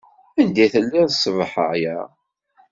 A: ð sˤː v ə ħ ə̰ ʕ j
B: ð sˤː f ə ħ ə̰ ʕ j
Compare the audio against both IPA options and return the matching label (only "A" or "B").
A